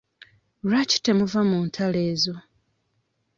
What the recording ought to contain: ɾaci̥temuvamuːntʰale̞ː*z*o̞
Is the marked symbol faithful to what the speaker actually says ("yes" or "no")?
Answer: yes